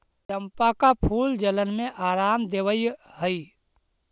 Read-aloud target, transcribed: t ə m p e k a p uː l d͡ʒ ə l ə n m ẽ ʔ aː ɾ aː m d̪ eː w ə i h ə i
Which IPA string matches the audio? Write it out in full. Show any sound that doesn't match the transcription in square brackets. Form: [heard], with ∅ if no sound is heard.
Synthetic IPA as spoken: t ə m p [a] k a [pʰ] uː l d͡ʒ ə l ə n m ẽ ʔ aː ɾ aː m d̪ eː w ə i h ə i

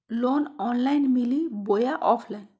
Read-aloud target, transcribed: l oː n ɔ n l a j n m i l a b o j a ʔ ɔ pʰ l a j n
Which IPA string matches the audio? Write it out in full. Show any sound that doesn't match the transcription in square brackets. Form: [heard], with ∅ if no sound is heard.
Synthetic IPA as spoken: l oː n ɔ n l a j n m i l [i] b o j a ʔ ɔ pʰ l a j n

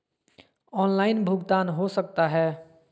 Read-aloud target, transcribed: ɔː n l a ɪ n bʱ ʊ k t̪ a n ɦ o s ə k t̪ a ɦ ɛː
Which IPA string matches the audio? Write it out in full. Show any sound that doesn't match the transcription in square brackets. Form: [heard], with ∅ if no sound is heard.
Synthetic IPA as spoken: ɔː n l a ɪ n bʱ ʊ [ɡ] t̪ a n ɦ o s ə k t̪ a ɦ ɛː

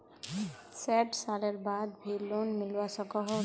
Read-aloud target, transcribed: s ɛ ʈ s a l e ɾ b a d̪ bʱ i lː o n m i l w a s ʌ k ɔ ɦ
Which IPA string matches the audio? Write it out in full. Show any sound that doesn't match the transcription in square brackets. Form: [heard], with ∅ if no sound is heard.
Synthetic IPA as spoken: s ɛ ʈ s a l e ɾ b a d̪ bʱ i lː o n m i l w a s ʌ k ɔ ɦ

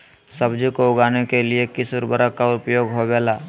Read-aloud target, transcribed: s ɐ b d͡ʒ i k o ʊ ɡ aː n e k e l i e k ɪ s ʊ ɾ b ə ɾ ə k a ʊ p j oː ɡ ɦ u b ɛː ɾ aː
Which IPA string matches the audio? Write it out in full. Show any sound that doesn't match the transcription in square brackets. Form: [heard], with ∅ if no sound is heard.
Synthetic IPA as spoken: s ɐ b d͡ʒ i k o ʊ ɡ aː n e k e l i e k ɪ s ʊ ɾ b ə ɾ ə k a ʊ p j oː ɡ ɦ [o] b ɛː [l] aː

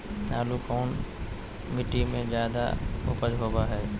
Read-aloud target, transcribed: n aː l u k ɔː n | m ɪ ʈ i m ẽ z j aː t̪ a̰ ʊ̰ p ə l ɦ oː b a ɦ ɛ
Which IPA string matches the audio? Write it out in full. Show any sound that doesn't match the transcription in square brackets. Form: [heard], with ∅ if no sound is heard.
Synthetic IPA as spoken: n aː l u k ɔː n | m ɪ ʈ i m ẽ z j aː [d̪] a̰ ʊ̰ p ə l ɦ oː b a ɦ [ɛː]

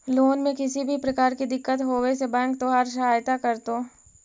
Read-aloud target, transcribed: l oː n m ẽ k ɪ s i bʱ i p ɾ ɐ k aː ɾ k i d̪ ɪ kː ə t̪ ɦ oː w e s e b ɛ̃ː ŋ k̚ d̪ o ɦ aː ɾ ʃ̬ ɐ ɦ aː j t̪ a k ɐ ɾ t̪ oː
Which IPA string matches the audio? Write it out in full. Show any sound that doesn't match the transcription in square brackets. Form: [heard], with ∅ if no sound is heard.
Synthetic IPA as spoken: l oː n m ẽ k ɪ s i bʱ i p ɾ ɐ k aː ɾ k i d̪ ɪ kː ə t̪ ɦ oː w e s e b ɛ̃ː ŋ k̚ [t̪] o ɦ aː ɾ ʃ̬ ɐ ɦ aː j t̪ a k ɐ ɾ t̪ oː

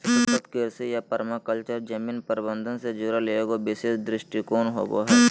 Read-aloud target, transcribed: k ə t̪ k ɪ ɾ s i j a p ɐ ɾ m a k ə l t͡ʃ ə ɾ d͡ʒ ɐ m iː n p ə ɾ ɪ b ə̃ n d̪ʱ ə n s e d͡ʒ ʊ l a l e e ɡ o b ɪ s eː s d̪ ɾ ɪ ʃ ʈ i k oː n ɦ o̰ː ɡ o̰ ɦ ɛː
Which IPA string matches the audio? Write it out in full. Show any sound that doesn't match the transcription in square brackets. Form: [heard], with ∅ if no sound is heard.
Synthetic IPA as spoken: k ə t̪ k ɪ ɾ s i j a p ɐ ɾ m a k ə l t͡ʃ ə ɾ d͡ʒ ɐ m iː n p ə ɾ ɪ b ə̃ n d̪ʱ ə n s e d͡ʒ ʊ [ɾ] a l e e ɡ o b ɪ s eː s d̪ ɾ ɪ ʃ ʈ i k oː n ɦ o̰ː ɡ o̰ ɦ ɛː

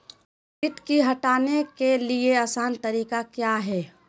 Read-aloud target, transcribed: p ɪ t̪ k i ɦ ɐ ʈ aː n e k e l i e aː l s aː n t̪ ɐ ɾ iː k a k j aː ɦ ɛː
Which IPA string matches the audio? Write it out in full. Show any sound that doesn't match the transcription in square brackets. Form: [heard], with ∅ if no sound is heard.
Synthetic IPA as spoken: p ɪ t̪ k i ɦ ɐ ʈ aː n e k e l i e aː [∅] s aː n t̪ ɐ ɾ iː k a k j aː ɦ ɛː

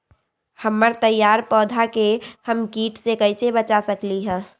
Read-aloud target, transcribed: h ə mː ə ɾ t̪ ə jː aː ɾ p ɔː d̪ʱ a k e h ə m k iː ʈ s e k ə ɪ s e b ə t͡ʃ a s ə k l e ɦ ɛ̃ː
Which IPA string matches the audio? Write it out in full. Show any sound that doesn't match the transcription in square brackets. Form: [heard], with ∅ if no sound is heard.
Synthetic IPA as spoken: h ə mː ə ɾ t̪ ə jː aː ɾ p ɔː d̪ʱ a k e h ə m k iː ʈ s e k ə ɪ s e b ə t͡ʃ a s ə k l [i] ɦ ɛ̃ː

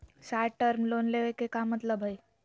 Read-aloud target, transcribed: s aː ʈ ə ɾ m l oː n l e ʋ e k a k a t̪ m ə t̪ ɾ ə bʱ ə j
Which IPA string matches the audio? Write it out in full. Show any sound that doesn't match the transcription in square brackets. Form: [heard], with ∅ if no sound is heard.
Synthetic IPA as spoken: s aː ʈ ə ɾ m l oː n l e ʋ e k [e] k a [∅] m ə t̪ [l] ə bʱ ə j

